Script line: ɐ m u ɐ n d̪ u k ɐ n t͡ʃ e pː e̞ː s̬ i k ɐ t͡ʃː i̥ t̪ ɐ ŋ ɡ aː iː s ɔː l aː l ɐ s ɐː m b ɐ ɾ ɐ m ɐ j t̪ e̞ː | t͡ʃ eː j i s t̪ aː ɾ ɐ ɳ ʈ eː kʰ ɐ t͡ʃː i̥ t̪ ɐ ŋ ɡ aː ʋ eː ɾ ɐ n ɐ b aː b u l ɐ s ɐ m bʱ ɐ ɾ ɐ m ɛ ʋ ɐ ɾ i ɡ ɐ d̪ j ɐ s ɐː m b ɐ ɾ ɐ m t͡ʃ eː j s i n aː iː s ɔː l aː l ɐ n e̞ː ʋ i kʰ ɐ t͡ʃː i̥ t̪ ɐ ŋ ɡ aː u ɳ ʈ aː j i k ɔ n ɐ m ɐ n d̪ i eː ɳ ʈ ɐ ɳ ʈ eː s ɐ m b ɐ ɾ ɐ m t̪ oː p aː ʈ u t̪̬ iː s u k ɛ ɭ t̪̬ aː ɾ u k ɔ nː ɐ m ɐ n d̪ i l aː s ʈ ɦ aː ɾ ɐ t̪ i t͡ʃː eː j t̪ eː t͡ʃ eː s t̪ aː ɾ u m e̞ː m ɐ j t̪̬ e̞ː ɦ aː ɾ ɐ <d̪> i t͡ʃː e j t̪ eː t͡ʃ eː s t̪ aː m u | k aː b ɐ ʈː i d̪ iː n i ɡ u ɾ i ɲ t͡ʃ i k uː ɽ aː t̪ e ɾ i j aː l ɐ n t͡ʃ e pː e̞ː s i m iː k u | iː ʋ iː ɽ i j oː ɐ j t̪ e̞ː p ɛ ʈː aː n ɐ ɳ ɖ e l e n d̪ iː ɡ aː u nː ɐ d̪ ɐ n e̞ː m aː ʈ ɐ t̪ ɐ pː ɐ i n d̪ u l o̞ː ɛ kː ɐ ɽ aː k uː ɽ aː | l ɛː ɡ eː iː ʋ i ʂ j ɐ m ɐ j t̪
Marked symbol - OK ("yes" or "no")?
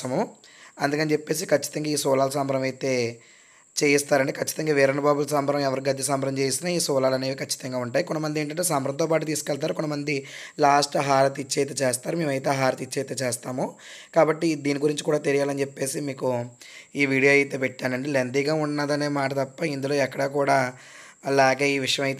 no